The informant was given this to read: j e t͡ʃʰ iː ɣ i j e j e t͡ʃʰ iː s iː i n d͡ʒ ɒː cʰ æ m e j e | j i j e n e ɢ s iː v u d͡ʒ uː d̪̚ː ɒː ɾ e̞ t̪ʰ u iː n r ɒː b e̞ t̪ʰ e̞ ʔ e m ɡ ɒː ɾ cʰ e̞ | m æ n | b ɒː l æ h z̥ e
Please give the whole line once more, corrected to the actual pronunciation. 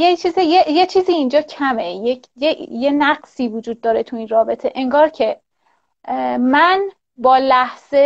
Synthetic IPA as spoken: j e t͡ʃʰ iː z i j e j e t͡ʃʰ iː z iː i n d͡ʒ ɒː cʰ æ m e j e | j e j e n æ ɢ s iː v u d͡ʒ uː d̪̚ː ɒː ɾ e̞ t̪ʰ u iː n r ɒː b e̞ t̪ʰ e̞ ʔ e ŋ ɡ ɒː ɾ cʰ e̞ | m æ n | b ɒː l æ h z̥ e